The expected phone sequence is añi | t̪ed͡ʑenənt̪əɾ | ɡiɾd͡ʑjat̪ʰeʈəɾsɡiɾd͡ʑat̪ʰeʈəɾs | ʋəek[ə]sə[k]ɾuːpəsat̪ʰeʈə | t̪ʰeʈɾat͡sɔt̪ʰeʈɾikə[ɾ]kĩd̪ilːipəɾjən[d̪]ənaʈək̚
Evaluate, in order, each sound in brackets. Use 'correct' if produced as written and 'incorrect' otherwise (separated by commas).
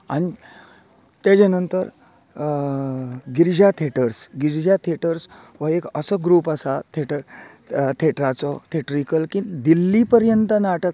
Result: correct, incorrect, incorrect, incorrect